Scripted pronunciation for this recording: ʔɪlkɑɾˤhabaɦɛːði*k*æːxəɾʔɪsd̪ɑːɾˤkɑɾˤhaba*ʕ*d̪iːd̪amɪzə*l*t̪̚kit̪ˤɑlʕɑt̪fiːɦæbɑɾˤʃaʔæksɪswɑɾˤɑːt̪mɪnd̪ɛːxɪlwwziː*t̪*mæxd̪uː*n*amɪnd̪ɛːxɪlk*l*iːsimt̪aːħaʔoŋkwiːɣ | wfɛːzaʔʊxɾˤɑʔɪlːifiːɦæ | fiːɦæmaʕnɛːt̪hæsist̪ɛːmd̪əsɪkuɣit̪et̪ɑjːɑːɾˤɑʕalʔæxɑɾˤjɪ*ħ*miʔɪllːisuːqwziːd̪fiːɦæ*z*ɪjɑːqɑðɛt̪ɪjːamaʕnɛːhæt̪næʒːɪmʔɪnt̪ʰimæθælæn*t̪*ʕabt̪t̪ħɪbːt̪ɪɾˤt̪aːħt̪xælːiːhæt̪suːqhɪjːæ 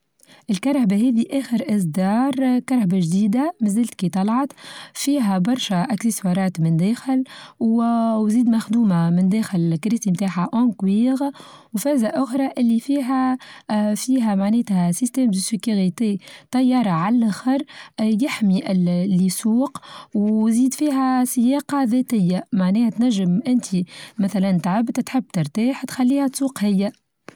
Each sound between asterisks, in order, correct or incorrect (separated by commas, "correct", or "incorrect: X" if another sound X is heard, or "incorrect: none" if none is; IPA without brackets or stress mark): incorrect: ʔ, incorrect: ʒ, correct, incorrect: d̪, incorrect: m, incorrect: ɾ, correct, incorrect: s, correct